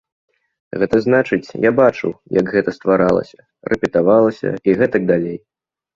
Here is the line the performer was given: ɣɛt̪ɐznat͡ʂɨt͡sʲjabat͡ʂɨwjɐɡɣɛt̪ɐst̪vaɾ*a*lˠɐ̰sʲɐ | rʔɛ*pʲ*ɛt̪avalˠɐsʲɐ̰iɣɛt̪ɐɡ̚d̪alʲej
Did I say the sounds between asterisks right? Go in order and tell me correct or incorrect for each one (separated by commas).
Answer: correct, correct